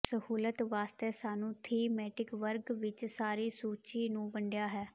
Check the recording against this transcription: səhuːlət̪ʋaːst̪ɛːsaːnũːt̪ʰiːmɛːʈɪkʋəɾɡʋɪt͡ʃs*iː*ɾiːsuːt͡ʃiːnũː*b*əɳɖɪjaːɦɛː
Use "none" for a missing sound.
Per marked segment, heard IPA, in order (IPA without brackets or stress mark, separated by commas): aː, b